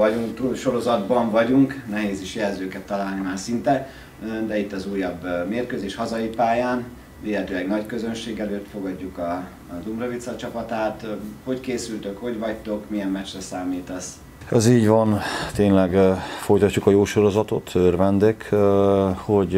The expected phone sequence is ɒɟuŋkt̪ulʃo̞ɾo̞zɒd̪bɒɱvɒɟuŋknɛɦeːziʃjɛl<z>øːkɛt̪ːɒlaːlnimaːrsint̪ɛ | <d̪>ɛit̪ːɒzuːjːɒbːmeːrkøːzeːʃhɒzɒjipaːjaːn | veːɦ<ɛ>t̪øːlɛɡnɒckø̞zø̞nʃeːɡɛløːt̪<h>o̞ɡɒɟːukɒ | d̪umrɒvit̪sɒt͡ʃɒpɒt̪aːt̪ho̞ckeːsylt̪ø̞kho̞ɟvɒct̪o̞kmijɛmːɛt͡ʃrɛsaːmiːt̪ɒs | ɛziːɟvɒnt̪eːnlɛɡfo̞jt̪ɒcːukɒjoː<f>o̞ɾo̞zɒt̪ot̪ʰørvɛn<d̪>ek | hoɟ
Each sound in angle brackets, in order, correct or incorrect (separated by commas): correct, correct, correct, incorrect, incorrect, correct